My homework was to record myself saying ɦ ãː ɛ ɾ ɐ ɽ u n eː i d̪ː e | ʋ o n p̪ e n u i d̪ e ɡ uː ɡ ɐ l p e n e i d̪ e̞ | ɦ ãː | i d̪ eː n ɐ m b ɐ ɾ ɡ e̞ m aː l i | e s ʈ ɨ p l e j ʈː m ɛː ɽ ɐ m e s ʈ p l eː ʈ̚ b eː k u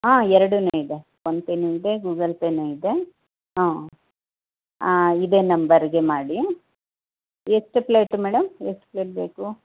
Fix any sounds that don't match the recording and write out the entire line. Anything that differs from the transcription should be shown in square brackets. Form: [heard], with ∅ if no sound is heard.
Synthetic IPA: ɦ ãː ɛ ɾ ɐ ɽ u n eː i [d̪] e | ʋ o n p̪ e n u i d̪ e ɡ uː ɡ ɐ l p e n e i d̪ e̞ | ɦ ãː | i d̪ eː n ɐ m b ɐ ɾ ɡ e̞ m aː [ɽ] i | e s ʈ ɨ p l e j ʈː m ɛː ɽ ɐ m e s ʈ p l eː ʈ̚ b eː k u